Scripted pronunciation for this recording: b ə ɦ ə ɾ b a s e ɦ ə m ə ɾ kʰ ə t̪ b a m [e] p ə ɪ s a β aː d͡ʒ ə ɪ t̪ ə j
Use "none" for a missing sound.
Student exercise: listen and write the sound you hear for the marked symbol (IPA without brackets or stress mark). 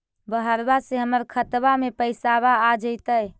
e